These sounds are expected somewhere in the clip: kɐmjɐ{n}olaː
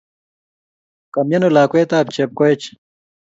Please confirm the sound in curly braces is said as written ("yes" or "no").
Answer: yes